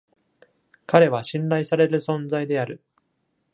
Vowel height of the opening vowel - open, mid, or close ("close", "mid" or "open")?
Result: open